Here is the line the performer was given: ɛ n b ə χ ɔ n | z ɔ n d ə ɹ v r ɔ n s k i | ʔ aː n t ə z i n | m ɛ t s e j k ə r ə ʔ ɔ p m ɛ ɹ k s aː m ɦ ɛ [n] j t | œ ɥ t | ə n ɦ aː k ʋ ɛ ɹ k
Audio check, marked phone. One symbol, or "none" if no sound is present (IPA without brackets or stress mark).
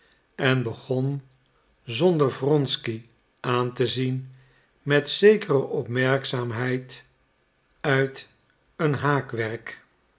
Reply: none